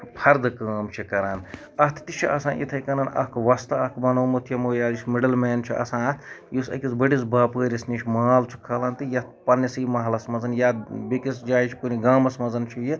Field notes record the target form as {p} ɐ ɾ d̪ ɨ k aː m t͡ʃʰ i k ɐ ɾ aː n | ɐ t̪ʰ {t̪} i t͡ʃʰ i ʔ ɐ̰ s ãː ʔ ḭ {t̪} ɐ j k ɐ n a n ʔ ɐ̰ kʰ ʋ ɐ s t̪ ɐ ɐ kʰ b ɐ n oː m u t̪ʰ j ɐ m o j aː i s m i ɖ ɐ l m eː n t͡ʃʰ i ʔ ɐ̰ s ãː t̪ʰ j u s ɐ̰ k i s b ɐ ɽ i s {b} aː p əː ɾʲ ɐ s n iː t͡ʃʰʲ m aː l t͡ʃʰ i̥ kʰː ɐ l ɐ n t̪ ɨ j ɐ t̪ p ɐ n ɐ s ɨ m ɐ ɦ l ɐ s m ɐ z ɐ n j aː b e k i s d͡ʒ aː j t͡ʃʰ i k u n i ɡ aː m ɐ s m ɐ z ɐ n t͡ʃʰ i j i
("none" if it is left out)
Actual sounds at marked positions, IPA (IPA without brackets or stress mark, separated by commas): pʰ, t̪, t̪ʰ, b